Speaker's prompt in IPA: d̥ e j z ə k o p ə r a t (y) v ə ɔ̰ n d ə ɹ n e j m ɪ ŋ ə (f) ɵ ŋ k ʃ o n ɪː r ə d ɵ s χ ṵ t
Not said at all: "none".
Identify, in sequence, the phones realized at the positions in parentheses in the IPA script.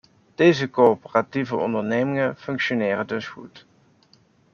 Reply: i, f

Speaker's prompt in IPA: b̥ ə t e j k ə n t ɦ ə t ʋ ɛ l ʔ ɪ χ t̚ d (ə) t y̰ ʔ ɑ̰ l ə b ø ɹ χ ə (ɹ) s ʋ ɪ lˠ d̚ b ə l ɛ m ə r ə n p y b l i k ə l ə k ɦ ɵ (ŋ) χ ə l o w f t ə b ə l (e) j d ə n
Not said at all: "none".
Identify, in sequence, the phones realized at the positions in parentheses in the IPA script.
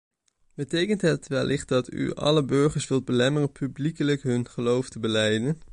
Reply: ɑ, ɹ, n, ɛ

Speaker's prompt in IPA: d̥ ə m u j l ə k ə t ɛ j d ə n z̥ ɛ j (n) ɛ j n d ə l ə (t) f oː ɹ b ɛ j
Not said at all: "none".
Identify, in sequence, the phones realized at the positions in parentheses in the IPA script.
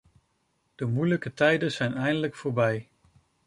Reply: n, k

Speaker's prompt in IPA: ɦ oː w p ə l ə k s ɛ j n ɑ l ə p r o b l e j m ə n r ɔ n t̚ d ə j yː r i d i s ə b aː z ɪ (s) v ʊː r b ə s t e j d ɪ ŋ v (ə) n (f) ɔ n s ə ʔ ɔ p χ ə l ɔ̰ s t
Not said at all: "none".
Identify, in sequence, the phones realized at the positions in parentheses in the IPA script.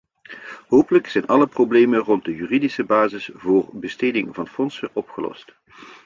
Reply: s, ɑ, f

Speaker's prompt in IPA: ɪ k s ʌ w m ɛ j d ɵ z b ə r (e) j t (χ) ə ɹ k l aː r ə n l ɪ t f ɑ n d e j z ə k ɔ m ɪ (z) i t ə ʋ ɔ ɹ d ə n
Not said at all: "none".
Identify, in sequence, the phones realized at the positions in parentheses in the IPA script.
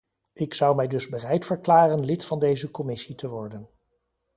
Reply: ɛ, f, s

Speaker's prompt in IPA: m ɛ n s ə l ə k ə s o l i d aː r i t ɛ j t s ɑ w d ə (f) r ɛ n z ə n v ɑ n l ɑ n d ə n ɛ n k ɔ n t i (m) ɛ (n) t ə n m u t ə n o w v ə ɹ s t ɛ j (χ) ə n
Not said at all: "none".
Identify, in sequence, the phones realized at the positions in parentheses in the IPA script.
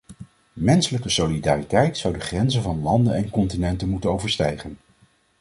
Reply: χ, n, n, χ

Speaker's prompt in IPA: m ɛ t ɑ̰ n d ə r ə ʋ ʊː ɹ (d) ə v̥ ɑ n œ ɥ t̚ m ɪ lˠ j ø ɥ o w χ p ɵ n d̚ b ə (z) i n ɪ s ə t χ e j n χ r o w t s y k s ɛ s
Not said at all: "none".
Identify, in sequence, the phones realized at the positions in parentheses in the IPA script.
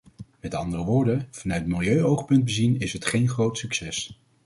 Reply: d, z

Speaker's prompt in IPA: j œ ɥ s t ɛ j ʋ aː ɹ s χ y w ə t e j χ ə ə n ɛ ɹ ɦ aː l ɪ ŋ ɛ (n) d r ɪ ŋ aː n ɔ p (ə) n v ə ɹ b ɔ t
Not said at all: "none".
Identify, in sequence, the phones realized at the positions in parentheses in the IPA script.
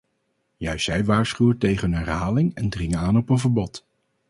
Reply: n, ə

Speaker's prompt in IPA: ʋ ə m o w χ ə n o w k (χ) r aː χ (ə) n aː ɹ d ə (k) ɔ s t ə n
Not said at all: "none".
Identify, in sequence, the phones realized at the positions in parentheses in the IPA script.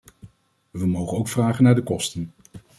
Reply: f, ə, k

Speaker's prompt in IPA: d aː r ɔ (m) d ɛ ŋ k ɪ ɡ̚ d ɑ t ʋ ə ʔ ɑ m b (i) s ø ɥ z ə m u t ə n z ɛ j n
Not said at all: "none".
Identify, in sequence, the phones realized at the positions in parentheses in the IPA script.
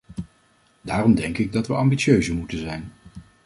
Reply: m, i

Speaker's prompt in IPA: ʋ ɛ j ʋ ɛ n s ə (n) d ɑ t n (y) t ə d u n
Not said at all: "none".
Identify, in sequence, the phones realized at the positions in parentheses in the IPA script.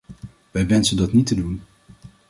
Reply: n, i

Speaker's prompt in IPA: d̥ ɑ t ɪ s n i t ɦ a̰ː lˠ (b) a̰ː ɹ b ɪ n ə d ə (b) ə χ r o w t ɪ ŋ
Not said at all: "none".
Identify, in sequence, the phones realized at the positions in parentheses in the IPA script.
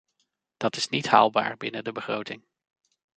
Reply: b, b

